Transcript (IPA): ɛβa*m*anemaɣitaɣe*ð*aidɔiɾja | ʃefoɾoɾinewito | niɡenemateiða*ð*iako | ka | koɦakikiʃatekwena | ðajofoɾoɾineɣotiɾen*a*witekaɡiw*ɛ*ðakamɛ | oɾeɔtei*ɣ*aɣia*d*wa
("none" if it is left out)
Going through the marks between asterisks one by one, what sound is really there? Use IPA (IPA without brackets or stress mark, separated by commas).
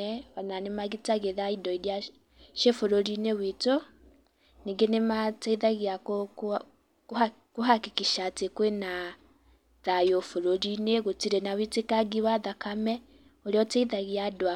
n, ð, ɣ, a, a, ð, d